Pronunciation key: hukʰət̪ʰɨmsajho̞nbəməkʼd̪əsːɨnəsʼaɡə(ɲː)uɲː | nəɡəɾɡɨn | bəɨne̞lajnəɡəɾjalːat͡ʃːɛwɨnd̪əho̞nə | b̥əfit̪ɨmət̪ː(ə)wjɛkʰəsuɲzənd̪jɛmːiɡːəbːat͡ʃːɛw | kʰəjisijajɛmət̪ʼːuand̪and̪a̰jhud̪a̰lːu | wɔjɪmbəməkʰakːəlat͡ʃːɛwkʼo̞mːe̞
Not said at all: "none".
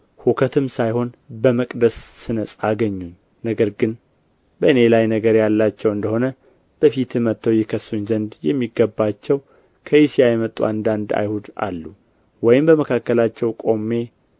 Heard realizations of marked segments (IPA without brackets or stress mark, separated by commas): ɲː, ə